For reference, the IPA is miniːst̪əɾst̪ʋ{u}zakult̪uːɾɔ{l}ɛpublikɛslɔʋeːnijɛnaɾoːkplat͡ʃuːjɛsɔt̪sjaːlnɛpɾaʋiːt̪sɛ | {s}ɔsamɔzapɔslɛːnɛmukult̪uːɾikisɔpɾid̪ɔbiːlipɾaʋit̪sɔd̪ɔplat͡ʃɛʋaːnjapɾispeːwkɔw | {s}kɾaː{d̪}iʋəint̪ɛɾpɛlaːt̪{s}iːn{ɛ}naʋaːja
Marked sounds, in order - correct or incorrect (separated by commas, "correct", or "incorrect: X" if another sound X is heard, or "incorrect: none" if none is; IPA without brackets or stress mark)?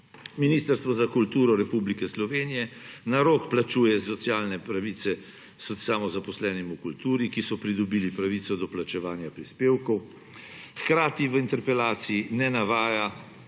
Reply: incorrect: ɔ, incorrect: ɾ, correct, incorrect: x, incorrect: t̪, correct, correct